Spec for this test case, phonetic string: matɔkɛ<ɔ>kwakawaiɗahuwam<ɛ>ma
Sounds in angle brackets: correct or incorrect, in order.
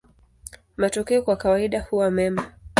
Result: correct, correct

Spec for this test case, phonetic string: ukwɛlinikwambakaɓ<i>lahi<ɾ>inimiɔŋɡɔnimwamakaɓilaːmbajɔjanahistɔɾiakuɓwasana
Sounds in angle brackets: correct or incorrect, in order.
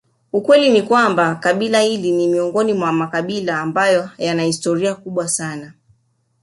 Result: correct, incorrect

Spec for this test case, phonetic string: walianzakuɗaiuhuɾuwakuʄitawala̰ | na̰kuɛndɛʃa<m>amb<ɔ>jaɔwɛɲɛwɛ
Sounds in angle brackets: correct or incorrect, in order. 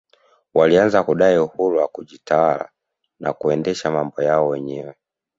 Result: correct, correct

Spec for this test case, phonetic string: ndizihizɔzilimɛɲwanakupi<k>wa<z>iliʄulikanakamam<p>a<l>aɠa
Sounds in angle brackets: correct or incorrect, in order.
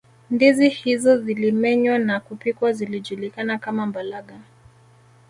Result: correct, correct, incorrect, correct

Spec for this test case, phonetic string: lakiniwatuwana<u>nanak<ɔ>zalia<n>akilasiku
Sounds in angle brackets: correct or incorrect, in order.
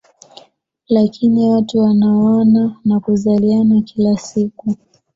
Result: incorrect, incorrect, correct

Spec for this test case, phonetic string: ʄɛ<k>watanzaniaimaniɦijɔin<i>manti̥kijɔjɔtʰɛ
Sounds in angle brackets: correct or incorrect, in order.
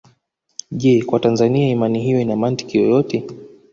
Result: correct, incorrect

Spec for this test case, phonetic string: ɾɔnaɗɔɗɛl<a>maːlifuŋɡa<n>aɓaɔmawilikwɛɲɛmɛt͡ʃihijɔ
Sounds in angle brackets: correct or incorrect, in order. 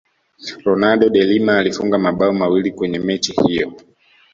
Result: incorrect, incorrect

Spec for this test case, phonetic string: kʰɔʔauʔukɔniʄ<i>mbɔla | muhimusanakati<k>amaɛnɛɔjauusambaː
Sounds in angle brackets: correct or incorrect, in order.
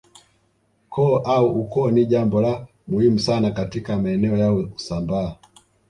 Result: incorrect, correct

